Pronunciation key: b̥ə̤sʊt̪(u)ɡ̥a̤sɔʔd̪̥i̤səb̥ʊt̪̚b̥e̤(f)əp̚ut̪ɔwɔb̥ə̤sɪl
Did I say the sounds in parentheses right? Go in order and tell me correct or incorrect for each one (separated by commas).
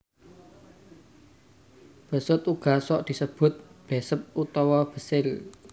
correct, incorrect